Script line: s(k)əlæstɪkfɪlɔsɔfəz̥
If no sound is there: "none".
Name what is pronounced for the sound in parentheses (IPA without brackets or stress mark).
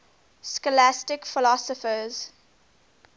k